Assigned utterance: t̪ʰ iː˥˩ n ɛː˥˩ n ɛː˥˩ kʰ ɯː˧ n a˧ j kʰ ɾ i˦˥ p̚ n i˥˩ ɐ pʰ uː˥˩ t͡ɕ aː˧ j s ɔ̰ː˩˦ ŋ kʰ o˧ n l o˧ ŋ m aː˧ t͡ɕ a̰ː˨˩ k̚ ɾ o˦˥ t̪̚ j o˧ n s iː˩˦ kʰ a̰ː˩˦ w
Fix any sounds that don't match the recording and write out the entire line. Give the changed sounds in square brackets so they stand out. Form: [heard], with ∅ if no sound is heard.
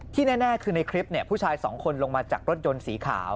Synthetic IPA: t̪ʰ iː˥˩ n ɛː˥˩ n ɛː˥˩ kʰ ɯː˧ n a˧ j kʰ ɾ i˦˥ p̚ n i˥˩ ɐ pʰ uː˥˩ [t͡ɕʰ] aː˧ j s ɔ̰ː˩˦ ŋ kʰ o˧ n l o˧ ŋ m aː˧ t͡ɕ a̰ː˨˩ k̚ ɾ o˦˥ t̪̚ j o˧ n s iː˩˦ kʰ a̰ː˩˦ w